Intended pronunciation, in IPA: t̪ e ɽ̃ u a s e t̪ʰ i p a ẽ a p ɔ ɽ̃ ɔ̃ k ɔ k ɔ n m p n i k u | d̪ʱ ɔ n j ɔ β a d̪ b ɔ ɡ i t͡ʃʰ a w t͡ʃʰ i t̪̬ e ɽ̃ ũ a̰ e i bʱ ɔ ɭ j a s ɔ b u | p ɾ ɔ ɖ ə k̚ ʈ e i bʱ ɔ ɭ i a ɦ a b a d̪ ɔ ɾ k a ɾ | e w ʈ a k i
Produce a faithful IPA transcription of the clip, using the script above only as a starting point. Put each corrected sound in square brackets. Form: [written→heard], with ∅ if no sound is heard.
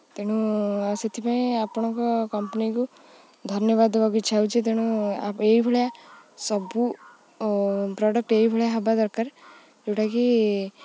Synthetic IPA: t̪ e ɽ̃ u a s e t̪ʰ i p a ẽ a p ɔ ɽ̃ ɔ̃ k ɔ k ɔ [n→∅] m p n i k u | d̪ʱ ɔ n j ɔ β a d̪ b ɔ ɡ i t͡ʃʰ a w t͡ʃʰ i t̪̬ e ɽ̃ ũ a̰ e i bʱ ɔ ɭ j a s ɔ b u | p ɾ ɔ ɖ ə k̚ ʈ e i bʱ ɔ ɭ [i→j] a ɦ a b a d̪ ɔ ɾ k a ɾ | e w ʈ a k i